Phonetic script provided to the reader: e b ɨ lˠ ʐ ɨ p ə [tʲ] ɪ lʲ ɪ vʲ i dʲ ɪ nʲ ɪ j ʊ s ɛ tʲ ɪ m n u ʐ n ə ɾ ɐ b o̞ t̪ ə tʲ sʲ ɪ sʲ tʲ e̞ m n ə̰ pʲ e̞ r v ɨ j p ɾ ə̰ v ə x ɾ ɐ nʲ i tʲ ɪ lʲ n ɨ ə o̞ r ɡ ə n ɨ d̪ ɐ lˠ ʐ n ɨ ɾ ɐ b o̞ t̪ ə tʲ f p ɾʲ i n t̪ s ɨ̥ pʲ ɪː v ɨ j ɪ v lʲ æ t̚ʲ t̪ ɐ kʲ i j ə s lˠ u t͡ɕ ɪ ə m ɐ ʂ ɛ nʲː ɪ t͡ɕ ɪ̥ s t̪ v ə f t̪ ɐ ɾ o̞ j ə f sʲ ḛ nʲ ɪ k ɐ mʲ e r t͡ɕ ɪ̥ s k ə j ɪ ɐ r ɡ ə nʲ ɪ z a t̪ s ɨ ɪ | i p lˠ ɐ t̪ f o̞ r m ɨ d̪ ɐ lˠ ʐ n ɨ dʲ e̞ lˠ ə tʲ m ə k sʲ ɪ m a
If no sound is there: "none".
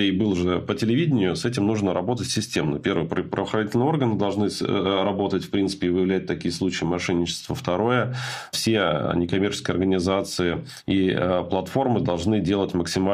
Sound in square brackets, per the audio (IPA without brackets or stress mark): tʲ